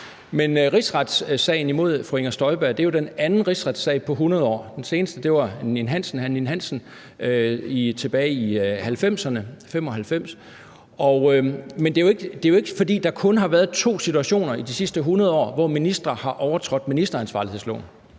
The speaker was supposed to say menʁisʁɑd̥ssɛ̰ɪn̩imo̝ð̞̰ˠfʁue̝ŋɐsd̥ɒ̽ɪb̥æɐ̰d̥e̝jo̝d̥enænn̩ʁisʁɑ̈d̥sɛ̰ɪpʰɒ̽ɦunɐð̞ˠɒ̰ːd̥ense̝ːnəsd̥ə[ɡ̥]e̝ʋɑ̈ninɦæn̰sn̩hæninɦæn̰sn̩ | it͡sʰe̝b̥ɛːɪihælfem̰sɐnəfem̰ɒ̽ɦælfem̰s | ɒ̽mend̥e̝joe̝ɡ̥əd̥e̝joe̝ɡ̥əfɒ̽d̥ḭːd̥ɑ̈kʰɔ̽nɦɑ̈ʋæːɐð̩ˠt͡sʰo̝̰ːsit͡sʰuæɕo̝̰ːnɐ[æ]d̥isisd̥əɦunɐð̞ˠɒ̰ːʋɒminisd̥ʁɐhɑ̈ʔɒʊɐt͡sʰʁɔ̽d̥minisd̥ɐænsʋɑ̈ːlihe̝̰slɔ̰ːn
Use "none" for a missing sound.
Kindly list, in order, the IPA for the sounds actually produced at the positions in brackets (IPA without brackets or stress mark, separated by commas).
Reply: d̥, i